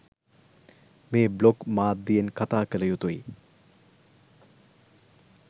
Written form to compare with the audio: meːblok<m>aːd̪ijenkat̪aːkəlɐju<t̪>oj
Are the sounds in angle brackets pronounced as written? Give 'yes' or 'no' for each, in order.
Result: yes, yes

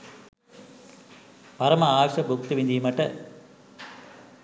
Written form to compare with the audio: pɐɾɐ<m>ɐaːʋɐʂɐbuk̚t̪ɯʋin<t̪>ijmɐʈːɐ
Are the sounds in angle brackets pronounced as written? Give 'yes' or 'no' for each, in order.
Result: yes, no

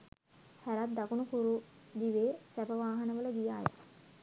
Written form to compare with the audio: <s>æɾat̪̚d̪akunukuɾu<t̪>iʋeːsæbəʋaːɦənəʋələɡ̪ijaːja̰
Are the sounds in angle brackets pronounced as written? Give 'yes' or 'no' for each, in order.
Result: no, no

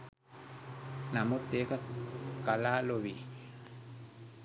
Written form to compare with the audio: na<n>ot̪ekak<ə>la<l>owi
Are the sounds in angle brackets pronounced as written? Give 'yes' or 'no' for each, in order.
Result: no, no, yes

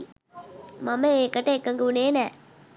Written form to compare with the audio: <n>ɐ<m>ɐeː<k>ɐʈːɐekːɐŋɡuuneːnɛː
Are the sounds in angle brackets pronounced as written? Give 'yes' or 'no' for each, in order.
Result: no, yes, yes

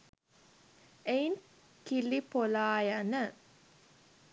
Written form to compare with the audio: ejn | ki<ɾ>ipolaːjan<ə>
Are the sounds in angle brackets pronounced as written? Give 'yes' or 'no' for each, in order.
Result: no, yes

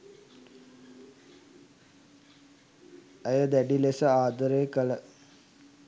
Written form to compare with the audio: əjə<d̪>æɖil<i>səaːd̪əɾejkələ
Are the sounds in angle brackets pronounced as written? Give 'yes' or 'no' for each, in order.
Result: yes, no

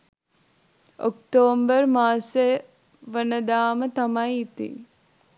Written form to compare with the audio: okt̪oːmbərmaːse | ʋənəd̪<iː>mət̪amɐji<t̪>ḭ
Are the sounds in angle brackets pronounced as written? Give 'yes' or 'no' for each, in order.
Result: no, yes

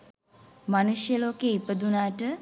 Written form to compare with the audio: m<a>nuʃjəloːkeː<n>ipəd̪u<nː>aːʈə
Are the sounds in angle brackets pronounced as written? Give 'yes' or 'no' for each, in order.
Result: yes, no, no

